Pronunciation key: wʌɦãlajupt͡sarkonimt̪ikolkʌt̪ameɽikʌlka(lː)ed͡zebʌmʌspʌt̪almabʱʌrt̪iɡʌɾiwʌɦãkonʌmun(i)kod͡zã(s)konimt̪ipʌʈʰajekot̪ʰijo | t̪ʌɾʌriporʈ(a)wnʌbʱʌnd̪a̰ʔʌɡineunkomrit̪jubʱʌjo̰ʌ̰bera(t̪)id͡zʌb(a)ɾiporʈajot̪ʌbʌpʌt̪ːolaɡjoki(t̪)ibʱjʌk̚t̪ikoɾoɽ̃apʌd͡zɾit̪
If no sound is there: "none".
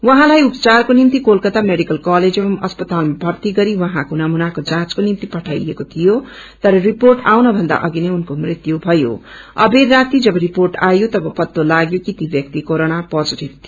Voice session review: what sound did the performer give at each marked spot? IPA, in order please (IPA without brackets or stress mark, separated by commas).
l, a, t͡s, a, t̪, ʌ, t̪